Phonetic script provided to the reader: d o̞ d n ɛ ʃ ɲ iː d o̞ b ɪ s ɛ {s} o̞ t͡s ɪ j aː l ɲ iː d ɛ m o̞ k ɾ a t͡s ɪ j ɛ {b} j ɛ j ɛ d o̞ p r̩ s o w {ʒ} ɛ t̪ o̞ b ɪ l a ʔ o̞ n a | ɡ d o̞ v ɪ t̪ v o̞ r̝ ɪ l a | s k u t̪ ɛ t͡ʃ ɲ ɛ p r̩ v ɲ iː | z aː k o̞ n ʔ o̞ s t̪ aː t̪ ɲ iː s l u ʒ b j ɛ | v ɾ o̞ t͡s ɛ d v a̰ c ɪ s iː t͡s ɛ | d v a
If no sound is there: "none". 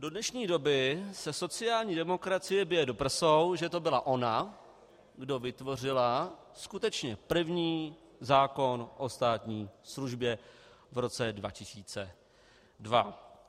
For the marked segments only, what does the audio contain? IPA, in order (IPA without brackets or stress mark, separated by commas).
s, b, ʒ